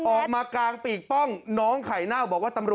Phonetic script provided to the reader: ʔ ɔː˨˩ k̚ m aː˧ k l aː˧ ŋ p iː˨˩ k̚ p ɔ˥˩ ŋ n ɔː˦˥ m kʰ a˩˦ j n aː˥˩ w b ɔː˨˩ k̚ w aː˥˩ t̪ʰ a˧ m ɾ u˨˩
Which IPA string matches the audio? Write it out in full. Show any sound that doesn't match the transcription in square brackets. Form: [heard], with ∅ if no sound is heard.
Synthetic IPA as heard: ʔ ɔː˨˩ k̚ m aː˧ k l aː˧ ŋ p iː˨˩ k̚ p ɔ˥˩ ŋ n ɔː˦˥ [ŋ] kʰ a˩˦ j n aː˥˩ w b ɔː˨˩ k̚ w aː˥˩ [t̪] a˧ m ɾ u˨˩

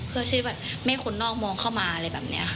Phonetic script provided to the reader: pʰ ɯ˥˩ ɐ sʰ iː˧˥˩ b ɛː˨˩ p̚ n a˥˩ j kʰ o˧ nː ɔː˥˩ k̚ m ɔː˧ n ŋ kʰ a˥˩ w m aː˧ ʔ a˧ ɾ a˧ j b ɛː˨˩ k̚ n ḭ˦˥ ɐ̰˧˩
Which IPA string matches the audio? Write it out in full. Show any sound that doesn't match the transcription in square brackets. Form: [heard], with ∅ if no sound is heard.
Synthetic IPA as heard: pʰ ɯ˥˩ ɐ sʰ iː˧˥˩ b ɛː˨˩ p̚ [m] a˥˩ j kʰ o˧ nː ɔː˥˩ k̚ m ɔː˧ [∅] ŋ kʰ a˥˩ w m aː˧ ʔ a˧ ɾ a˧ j b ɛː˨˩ [p̚] n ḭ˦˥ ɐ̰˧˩

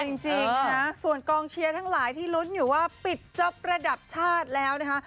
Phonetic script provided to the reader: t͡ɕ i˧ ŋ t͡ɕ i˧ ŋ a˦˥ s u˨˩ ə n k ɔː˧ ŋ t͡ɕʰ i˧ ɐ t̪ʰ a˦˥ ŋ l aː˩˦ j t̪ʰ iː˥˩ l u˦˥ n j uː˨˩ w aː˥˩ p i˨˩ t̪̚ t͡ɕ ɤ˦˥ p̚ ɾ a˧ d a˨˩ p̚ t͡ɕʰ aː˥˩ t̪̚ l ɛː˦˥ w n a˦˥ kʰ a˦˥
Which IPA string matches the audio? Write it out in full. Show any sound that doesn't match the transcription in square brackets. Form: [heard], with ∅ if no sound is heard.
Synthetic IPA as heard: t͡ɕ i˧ ŋ t͡ɕ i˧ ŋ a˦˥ s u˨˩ ə n k ɔː˧ ŋ t͡ɕʰ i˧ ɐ t̪ʰ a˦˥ ŋ l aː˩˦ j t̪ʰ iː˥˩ l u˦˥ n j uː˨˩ w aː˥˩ p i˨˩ t̪̚ t͡ɕ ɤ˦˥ p̚ ɾ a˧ d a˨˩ p̚ t͡ɕʰ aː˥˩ t̪̚ l ɛː˦˥ w n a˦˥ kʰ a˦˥

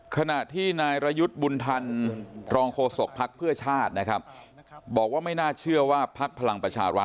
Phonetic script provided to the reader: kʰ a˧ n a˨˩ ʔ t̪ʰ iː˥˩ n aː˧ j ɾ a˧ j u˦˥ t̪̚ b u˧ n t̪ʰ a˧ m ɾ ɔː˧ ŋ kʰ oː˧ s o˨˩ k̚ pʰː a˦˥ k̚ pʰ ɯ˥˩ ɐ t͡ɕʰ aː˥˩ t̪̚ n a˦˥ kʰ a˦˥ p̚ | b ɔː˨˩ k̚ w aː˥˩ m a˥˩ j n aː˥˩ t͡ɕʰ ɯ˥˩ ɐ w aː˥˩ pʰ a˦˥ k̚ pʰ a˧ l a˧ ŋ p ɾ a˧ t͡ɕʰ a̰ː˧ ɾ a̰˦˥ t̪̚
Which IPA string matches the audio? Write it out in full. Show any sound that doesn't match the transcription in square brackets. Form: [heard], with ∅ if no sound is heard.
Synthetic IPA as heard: kʰ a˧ n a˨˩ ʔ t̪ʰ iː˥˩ n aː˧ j ɾ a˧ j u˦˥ t̪̚ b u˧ n t̪ʰ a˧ [n] ɾ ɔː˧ ŋ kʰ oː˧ s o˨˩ k̚ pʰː a˦˥ k̚ pʰ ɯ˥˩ ɐ t͡ɕʰ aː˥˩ t̪̚ n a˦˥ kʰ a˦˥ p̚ | b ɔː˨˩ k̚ w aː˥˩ m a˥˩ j n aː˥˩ t͡ɕʰ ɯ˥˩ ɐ w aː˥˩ pʰ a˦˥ k̚ pʰ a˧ l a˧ ŋ p ɾ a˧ t͡ɕʰ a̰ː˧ ɾ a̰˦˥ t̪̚

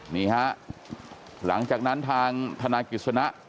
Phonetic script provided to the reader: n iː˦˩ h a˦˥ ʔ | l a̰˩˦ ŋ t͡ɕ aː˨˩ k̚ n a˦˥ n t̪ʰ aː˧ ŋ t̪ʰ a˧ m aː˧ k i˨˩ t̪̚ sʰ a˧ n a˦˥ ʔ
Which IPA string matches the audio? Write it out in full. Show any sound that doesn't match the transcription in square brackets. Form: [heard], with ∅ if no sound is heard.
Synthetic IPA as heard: n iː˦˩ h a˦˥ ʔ | l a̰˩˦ ŋ t͡ɕ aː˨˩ k̚ n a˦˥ n t̪ʰ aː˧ ŋ t̪ʰ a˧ [n] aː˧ k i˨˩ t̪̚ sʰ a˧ n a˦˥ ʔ

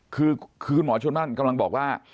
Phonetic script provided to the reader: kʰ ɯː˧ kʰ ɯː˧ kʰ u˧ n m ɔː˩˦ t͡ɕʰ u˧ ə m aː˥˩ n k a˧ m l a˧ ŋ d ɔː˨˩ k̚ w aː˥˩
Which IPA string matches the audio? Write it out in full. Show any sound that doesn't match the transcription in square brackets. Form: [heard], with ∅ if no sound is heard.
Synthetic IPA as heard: kʰ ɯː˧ kʰ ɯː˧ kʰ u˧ n m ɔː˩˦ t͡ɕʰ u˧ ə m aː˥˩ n k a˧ m l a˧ ŋ [b] ɔː˨˩ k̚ w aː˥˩

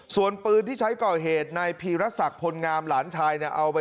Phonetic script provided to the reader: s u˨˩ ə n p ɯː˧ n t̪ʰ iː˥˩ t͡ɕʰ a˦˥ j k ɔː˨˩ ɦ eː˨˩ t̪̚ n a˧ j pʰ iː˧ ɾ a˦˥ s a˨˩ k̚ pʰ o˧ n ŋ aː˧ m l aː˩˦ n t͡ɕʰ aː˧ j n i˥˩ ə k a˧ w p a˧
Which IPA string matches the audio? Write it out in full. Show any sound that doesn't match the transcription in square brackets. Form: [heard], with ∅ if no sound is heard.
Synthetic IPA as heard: s u˨˩ ə n p ɯː˧ n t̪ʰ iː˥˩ t͡ɕʰ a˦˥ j k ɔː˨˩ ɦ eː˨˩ t̪̚ n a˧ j pʰ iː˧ ɾ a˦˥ s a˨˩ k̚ pʰ o˧ n ŋ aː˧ m l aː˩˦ n t͡ɕʰ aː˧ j n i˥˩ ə [ʔ] a˧ w p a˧

